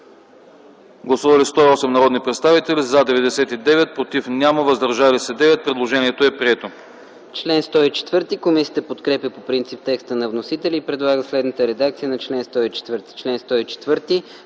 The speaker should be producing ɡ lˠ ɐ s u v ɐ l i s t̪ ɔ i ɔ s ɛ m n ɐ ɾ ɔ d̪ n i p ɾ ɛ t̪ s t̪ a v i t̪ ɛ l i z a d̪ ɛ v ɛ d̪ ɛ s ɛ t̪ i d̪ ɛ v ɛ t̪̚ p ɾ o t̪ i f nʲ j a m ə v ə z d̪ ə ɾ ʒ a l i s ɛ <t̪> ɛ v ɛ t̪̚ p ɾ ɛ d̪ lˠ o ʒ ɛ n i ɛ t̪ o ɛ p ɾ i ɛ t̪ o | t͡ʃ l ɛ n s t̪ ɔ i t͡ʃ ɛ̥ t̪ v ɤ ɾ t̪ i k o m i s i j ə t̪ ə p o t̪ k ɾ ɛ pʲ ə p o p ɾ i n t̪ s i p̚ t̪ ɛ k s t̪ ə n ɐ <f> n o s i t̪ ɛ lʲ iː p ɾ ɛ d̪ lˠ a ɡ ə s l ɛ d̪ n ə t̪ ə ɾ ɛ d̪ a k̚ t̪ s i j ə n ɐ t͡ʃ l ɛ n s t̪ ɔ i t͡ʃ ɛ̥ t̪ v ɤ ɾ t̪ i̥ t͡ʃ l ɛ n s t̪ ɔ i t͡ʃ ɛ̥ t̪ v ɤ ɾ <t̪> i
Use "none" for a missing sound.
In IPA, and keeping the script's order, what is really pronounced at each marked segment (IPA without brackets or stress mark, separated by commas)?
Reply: d̪, v, t̪